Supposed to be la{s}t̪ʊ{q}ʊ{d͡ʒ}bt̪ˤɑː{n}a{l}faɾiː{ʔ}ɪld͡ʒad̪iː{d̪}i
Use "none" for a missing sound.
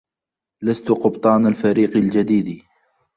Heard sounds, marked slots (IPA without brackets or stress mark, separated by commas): s, q, none, n, l, q, d̪